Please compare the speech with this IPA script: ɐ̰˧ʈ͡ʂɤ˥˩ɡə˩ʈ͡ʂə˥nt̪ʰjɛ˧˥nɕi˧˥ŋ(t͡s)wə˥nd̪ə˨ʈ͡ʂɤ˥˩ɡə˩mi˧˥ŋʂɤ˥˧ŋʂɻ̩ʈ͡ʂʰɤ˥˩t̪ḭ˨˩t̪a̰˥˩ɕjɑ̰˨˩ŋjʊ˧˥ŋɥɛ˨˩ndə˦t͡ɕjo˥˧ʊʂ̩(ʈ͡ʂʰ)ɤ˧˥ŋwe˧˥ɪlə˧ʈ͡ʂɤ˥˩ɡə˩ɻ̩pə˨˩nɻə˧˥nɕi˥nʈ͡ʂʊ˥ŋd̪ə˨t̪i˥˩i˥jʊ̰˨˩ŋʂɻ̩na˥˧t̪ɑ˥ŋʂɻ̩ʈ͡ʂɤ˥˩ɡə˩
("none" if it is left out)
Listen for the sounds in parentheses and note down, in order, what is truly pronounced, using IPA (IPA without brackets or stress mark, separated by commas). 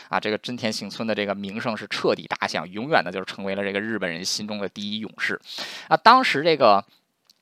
t͡sʰ, ʈ͡ʂʰ